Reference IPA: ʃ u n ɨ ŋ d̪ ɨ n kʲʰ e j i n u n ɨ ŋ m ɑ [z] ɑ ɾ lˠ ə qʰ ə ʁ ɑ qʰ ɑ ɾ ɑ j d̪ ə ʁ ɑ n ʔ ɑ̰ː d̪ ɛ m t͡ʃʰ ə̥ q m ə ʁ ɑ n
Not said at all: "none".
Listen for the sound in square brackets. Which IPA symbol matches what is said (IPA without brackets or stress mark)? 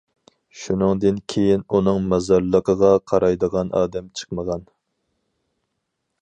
z